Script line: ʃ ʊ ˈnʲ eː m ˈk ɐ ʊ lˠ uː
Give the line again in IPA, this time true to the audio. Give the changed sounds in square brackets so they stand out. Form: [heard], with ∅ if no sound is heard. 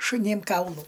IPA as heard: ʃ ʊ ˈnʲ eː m ˈk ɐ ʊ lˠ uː